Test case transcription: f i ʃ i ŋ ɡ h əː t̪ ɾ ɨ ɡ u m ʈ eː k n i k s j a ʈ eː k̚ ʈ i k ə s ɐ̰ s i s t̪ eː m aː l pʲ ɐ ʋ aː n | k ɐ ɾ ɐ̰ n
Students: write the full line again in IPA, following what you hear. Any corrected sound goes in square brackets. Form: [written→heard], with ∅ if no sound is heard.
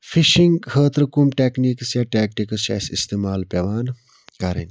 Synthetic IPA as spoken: f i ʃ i ŋ ɡ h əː t̪ ɾ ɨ [ɡ→k] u m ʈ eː k n i k s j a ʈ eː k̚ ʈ i k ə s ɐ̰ s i s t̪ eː m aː l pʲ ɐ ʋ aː n | k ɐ ɾ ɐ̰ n